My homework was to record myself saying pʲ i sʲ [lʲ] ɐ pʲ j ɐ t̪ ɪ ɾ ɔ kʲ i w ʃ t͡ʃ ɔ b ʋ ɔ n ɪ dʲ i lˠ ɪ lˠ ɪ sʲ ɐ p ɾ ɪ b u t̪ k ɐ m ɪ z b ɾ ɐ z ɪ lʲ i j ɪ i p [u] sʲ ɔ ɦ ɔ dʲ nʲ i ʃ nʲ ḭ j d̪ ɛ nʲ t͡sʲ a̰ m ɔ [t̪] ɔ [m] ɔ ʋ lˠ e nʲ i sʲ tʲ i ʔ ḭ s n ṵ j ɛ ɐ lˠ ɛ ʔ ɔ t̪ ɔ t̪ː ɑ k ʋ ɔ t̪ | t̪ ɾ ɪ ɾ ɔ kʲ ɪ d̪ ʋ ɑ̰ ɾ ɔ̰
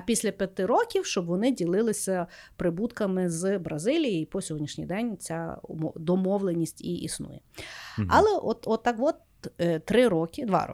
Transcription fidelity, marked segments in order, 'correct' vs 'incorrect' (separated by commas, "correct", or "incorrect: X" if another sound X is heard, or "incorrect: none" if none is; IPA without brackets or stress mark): correct, incorrect: ɔ, incorrect: d̪, correct